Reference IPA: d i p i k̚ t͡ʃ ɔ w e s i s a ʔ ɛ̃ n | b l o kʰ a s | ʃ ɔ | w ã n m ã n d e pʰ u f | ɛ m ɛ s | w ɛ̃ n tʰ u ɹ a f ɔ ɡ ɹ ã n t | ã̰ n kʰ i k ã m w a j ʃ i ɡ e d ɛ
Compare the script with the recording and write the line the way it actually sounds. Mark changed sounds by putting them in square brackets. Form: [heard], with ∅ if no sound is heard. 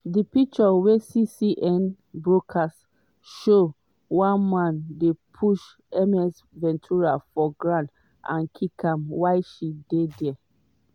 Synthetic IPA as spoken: d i p i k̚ t͡ʃ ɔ w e s i s [i] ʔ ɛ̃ n | b [ɹ] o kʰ a s | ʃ [o] | w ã n m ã n d e pʰ u [ʃ] | ɛ m ɛ s | [v] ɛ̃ n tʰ u ɹ a f ɔ ɡ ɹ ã n t | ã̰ n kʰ i k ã m w a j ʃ i [d] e d ɛ

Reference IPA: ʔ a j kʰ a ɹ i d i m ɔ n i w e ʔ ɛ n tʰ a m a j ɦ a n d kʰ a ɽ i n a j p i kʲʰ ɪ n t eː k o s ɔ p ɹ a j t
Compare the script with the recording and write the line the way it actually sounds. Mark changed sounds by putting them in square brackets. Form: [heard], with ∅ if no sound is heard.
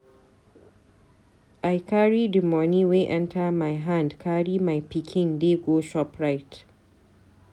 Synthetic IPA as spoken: ʔ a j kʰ a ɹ i d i m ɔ n i w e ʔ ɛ n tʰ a m a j ɦ a n d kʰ a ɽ i [m] a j p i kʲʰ ɪ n [d] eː [ɡ] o [ʃ] ɔ p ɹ a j t

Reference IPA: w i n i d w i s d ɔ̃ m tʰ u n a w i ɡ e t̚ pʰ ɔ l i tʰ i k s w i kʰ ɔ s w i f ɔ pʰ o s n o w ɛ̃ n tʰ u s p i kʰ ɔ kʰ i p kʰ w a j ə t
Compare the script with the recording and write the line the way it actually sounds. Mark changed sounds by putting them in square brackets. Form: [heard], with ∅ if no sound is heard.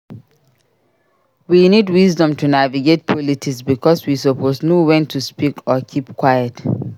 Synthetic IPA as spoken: w i n i d w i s d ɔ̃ m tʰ u n a [v] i ɡ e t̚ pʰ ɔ l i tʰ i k s [b] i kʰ ɔ s w i [s] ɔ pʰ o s n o w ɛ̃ n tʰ u s p i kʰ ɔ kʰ i p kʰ w a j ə t

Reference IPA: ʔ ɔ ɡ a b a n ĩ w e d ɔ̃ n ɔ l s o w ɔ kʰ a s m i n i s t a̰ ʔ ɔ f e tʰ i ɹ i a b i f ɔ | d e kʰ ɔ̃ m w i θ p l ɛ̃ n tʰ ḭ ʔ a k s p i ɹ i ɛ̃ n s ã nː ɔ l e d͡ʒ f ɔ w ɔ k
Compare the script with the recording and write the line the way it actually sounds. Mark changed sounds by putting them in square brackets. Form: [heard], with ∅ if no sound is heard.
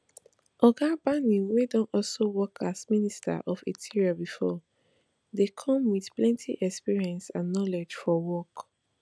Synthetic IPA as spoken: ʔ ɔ ɡ a b a n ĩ w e d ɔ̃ n ɔ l s o w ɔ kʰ a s m i n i s t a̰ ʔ ɔ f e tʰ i ɹ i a b i f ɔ | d e kʰ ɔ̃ m w i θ p l ɛ̃ n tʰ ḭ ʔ [ɛ] k s p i ɹ i ɛ̃ n s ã nː ɔ l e d͡ʒ f ɔ w ɔ k

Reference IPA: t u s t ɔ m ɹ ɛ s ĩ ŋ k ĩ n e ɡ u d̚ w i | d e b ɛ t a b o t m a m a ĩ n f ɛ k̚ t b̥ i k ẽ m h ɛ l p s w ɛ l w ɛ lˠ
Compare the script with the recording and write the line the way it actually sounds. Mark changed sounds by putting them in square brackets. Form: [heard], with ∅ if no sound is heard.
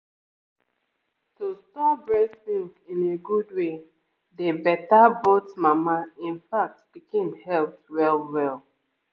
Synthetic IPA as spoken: t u s t ɔ [b] ɹ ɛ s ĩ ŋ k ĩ n e ɡ u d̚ w [e] | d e b ɛ t a b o t m a m a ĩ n f [a] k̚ t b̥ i k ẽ m h ɛ l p [t] w ɛ l w ɛ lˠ

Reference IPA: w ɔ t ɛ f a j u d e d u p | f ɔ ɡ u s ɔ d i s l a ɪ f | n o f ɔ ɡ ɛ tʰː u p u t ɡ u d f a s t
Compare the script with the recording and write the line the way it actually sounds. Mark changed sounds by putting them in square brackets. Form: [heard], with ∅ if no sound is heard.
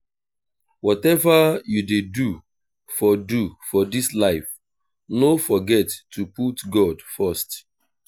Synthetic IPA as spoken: w ɔ t ɛ [v] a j u d e d u [∅] | f ɔ [d] u [f] ɔ d i s l a ɪ f | n o f ɔ ɡ ɛ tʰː u p u t ɡ [ɔ] d f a s t

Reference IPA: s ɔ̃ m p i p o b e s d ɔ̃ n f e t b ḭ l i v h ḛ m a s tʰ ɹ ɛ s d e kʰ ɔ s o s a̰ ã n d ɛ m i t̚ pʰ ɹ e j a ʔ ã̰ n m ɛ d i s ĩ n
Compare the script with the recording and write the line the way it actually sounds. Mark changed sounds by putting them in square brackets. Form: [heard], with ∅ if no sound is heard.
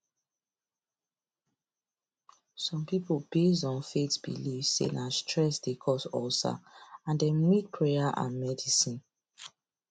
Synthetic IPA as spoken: s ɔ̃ m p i p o b e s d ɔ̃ n f e t b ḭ l i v [s] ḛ [n] a s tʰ ɹ ɛ s d e kʰ ɔ s [ɔ] s a̰ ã n d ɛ m i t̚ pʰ ɹ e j a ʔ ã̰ n m ɛ d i s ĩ n

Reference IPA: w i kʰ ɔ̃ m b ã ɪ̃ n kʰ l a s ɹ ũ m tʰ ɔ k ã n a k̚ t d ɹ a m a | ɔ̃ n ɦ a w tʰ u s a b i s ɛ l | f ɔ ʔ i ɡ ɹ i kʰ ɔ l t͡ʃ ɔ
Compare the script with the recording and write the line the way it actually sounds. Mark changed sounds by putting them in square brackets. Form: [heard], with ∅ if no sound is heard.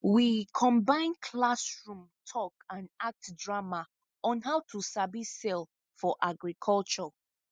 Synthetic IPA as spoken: w i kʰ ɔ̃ m b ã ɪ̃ n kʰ l a s ɹ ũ m tʰ ɔ k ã n a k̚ t d ɹ a m a | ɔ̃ n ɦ a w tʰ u s a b i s ɛ l | f ɔ ʔ [a] ɡ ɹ i kʰ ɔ l t͡ʃ ɔ

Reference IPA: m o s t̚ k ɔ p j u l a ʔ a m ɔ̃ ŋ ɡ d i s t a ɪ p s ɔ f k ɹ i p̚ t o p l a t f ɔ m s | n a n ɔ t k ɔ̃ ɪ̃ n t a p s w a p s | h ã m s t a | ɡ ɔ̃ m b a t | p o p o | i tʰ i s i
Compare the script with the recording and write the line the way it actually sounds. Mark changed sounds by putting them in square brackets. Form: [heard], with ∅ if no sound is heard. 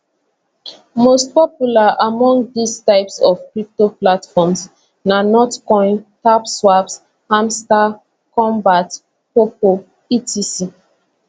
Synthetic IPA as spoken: m o s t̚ [p] ɔ p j u l a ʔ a m ɔ̃ ŋ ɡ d i s t a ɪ p s ɔ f k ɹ i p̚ t o p l a t f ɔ m s | n a n ɔ t k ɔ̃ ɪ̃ n t a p s w a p s | h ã m s t a | [k] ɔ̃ m b a t | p o p o | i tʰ i s i

